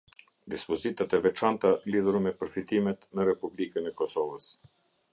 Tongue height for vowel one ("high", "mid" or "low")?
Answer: high